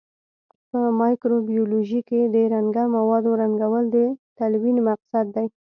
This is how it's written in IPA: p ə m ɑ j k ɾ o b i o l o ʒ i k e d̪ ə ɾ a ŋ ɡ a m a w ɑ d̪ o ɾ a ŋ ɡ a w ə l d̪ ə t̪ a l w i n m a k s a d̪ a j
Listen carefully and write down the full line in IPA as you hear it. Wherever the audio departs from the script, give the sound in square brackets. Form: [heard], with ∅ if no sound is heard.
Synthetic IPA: p ə m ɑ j k ɾ o b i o l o ʒ i k e d̪ ə ɾ a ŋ ɡ a m a w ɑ d̪ o ɾ a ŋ ɡ a w ə l d̪ ə t̪ a l w i n m a [q] s a [d̪ː] a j